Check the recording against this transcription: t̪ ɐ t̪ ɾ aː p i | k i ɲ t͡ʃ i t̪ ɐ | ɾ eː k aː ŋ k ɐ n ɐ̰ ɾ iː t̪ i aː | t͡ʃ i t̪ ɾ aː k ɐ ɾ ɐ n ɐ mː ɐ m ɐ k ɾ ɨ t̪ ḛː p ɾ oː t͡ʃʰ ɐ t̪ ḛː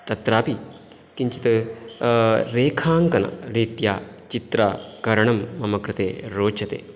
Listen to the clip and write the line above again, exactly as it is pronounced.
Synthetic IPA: t̪ ɐ t̪ ɾ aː p i | k i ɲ t͡ʃ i t̪ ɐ | ɾ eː kʰ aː ŋ k ɐ n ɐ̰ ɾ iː t̪ j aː | t͡ʃ i t̪ ɾ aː k ɐ ɾ ɐ ɳ ɐ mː ɐ m ɐ k ɾ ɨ t̪ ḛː ɾ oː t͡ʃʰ ɐ t̪ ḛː